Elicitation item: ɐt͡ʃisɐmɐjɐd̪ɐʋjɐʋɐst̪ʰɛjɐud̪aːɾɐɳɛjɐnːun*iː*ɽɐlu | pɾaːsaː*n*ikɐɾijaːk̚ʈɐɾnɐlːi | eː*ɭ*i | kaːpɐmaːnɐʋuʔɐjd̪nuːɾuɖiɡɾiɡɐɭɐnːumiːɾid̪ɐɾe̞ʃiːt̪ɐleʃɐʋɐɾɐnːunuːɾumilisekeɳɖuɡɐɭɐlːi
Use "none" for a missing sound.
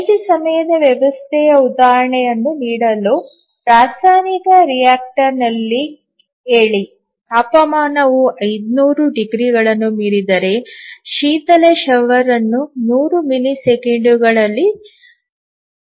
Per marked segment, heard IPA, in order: iː, n, ɭ

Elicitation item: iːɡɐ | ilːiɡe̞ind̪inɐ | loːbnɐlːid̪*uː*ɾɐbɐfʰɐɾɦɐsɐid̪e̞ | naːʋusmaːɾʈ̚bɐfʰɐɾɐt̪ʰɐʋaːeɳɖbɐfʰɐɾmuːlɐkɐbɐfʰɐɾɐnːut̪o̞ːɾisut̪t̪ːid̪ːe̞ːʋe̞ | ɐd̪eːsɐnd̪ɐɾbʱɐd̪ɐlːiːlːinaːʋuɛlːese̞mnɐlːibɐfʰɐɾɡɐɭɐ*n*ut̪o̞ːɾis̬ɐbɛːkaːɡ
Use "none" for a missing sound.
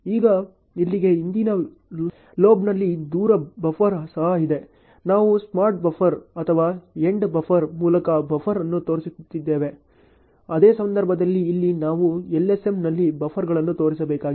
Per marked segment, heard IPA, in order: uː, nː

